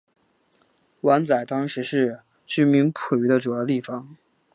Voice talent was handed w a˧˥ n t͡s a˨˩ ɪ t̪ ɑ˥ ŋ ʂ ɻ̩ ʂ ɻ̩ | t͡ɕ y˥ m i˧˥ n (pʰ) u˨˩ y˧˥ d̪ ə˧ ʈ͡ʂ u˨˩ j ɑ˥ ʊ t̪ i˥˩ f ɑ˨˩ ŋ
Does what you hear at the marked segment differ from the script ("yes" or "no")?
no